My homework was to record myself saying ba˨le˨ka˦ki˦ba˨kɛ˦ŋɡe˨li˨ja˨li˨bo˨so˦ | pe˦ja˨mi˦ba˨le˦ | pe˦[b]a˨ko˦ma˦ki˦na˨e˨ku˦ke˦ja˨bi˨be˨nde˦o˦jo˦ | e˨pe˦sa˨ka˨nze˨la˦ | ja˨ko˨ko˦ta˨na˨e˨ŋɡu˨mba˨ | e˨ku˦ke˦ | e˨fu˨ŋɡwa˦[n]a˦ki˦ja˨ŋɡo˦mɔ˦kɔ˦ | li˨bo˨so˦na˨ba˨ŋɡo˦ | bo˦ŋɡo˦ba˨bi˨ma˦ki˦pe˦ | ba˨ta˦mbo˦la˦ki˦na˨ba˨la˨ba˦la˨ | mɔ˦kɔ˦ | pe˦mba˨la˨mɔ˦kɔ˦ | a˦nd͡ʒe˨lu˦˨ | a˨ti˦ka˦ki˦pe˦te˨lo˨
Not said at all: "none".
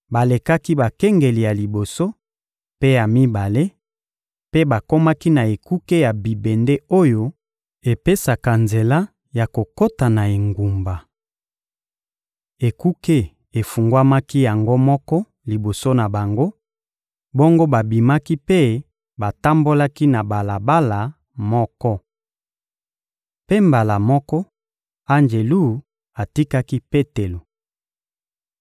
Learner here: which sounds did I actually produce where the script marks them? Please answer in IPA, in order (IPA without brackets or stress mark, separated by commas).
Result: b, m